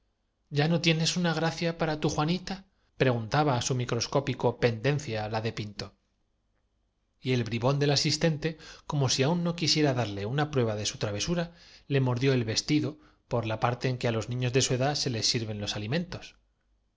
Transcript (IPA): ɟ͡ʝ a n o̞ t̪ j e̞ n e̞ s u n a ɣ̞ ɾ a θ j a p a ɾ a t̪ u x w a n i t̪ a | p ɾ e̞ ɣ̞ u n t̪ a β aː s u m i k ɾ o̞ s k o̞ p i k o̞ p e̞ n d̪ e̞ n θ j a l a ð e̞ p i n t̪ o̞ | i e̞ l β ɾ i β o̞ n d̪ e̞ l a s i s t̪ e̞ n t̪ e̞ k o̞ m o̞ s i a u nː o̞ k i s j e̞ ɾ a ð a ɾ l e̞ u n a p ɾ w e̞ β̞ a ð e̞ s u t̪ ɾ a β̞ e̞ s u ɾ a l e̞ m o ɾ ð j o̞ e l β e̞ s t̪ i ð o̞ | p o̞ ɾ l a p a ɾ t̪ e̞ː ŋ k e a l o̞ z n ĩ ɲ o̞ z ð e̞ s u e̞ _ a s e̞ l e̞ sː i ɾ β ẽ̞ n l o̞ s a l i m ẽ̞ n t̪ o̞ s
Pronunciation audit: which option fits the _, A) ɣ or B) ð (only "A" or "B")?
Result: B